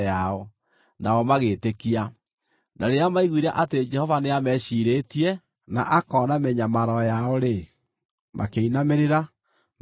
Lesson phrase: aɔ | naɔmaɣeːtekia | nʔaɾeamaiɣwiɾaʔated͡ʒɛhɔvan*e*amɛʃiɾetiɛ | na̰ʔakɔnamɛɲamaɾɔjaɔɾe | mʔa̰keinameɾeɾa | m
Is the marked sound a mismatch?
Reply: no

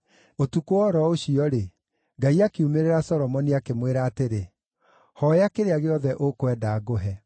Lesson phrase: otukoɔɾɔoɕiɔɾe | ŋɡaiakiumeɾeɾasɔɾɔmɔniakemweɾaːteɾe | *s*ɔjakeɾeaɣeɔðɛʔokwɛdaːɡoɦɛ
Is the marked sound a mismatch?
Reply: yes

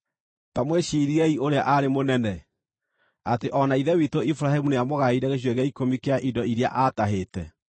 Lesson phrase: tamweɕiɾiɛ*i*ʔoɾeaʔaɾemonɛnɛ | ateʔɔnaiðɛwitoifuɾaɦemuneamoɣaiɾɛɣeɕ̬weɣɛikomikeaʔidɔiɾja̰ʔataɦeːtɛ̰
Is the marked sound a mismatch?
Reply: no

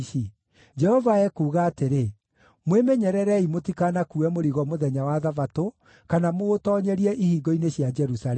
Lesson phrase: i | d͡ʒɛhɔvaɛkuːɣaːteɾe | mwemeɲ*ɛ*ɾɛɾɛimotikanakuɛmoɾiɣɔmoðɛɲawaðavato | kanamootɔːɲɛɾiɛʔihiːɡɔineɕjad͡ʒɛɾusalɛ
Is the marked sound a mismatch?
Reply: no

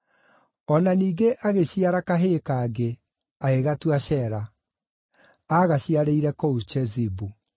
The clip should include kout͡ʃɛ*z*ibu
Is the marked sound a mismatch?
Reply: no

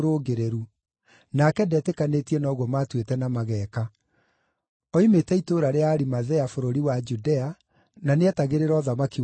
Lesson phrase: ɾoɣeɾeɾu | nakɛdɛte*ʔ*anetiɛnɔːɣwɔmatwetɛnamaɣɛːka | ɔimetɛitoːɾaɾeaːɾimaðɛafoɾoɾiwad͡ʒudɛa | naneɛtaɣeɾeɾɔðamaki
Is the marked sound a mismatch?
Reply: yes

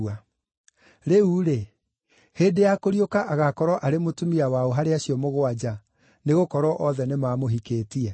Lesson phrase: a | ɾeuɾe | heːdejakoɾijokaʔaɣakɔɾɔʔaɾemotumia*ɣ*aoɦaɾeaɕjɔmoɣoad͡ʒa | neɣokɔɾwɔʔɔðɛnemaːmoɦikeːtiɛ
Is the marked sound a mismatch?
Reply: yes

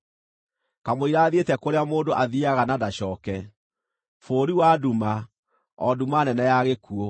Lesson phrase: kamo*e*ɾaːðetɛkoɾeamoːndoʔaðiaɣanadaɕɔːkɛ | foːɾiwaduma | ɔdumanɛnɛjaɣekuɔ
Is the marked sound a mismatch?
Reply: yes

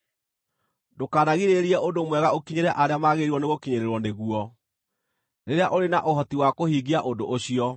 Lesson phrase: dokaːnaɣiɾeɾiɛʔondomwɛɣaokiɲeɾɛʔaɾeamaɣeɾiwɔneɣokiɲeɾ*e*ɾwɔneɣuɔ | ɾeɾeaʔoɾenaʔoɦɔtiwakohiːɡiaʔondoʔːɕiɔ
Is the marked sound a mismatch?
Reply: no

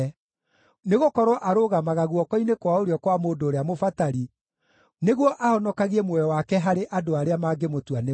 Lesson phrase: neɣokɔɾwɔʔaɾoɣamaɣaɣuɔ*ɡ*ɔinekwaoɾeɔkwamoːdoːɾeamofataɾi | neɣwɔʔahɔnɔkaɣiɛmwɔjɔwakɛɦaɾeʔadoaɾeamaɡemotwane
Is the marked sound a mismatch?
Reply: yes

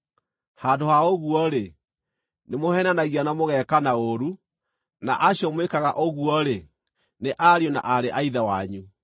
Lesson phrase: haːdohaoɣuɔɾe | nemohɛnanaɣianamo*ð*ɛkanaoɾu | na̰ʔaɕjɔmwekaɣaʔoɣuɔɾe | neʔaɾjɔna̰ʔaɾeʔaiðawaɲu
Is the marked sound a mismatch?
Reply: yes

